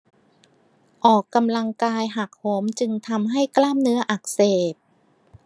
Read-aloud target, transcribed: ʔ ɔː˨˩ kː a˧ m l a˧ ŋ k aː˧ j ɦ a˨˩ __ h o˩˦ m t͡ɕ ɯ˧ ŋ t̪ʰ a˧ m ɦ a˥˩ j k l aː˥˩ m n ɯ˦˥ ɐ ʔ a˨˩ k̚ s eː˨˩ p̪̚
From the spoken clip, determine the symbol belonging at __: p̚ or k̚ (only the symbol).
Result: k̚